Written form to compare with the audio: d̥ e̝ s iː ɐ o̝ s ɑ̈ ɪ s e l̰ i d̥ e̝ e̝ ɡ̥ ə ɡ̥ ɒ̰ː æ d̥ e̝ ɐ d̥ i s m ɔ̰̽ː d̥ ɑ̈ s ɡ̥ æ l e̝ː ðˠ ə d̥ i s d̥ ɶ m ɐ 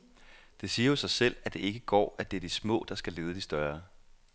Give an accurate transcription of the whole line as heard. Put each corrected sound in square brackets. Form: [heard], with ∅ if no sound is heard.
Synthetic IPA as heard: d̥ e̝ s iː ɐ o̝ s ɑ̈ ɪ s e l̰ [æ] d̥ e̝ e̝ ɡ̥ ə ɡ̥ ɒ̰ː æ d̥ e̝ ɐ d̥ i s m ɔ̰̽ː d̥ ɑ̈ s ɡ̥ æ l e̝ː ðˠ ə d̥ i s d̥ ɶ [∅] ɐ